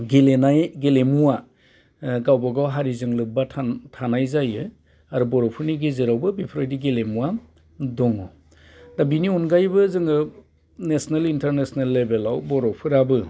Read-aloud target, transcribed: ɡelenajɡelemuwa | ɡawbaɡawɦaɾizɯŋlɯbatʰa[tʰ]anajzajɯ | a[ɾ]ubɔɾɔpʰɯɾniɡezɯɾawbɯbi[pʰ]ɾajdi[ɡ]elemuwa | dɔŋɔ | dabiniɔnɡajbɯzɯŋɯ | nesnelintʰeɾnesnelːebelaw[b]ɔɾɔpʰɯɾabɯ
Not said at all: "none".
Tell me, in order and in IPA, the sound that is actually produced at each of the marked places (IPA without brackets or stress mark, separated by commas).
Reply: tʰ, ɾ, pʰ, ɡ, b